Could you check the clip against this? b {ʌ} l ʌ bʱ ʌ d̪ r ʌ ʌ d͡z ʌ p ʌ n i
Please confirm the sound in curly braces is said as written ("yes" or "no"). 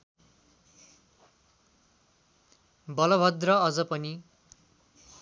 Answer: yes